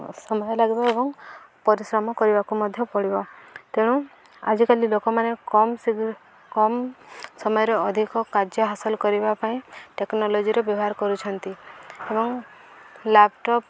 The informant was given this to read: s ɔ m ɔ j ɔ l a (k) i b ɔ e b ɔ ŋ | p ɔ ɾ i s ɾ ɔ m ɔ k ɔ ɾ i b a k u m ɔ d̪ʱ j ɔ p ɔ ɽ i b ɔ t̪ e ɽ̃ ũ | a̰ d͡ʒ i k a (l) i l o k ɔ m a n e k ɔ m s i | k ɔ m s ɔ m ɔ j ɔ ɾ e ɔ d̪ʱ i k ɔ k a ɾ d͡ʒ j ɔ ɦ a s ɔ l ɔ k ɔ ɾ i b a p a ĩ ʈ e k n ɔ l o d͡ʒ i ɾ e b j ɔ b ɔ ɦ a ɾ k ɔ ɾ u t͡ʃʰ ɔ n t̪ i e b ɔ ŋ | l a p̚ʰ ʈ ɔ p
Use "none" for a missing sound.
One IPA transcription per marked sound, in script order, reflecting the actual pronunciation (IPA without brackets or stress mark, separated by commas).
ɡ, l